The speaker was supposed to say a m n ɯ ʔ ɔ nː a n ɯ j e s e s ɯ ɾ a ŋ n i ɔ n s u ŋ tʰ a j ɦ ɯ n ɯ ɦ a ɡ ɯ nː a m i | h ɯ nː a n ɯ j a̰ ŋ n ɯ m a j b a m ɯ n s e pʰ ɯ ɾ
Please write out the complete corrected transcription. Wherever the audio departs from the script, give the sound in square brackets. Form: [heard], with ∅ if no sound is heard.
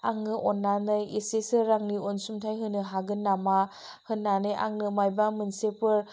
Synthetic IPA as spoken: a [ŋ] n ɯ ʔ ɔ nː a n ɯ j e s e s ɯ ɾ a ŋ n i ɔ n s u [m] tʰ a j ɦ ɯ n ɯ ɦ a ɡ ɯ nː a m [a] | h ɯ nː a n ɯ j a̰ ŋ n ɯ m a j b a m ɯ n s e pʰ ɯ ɾ